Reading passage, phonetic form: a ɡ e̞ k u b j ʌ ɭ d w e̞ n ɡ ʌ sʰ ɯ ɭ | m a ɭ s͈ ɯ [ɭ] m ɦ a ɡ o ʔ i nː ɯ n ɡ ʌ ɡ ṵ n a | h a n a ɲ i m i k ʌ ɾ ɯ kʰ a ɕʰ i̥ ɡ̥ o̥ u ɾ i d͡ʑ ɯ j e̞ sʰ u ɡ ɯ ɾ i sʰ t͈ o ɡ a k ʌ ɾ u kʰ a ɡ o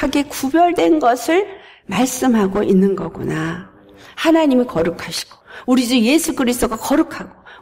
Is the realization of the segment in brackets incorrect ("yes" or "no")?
yes